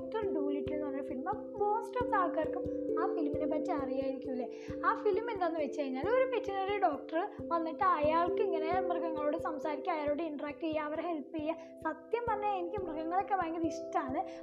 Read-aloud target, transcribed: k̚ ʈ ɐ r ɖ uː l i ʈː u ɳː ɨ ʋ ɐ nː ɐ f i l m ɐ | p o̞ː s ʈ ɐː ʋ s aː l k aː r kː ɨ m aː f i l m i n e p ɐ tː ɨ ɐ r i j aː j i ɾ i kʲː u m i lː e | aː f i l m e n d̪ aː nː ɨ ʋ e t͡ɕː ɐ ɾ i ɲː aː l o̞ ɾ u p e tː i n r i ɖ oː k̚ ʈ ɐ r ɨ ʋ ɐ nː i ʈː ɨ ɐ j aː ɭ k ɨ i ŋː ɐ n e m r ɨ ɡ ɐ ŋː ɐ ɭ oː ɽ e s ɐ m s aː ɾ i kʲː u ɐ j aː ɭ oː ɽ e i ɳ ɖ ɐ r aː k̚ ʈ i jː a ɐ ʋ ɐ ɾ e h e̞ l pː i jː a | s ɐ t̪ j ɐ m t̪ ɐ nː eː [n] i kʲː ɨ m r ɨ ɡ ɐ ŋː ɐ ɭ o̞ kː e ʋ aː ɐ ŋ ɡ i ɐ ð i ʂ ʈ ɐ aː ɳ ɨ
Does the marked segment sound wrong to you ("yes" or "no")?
no